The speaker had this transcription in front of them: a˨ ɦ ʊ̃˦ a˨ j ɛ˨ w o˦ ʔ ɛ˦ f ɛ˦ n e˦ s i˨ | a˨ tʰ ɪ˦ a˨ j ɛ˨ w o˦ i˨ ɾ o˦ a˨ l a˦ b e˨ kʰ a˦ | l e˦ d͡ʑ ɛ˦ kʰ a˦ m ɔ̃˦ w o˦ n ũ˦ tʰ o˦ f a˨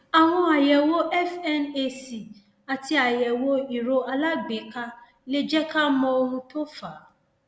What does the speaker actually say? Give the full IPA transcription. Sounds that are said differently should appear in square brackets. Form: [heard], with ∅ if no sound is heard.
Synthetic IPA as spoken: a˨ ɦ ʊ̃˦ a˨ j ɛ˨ w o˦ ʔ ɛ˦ f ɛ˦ n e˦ s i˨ | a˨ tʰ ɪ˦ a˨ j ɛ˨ w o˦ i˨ ɾ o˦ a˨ l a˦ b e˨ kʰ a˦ | l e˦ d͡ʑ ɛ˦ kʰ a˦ m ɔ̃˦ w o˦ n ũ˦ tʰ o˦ f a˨